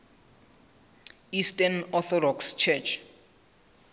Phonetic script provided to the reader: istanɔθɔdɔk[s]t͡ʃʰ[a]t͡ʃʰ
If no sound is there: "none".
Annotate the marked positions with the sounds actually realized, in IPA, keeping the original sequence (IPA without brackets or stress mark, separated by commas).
s, ɛ